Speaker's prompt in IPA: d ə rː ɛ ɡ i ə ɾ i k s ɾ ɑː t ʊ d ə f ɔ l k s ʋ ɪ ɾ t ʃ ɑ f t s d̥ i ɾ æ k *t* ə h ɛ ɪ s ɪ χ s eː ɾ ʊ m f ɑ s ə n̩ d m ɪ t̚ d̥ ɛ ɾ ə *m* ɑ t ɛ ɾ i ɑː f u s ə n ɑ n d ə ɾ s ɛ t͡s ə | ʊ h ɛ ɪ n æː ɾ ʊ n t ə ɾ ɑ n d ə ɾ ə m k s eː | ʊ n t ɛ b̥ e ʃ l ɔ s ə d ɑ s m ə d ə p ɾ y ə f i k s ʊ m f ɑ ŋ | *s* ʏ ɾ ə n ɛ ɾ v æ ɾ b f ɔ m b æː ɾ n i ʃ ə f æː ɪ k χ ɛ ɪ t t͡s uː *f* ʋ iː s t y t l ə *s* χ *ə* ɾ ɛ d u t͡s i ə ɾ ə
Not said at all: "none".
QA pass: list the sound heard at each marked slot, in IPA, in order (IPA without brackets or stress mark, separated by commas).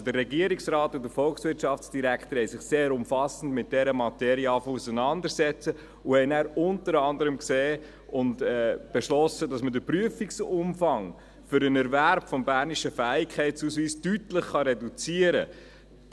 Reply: t, m, f, s, χ, ɑ